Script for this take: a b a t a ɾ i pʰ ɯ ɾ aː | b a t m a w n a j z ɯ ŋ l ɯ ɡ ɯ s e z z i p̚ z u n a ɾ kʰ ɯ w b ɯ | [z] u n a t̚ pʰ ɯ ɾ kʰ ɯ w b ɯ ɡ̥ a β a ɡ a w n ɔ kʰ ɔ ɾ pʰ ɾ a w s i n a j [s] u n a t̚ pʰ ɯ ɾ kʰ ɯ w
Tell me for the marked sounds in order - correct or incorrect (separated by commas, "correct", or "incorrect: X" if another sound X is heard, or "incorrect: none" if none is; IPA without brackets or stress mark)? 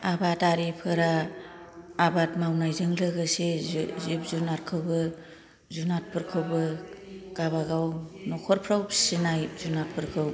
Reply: correct, incorrect: z